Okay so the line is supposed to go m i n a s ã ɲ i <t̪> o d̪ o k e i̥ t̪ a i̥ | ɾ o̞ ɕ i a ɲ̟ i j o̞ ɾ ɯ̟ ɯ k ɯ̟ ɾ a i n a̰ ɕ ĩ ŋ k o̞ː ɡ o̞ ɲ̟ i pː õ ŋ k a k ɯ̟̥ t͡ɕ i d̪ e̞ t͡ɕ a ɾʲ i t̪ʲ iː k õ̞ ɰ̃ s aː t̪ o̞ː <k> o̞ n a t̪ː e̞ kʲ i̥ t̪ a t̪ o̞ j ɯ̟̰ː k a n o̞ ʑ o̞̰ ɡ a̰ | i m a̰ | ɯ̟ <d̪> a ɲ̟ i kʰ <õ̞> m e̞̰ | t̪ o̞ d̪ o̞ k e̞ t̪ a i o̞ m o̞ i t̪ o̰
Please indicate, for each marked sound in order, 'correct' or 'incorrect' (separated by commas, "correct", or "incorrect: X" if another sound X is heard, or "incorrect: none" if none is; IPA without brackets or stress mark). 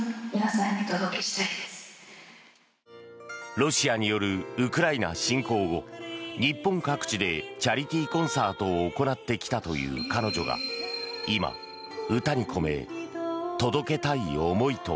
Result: correct, correct, incorrect: t̪, incorrect: o̞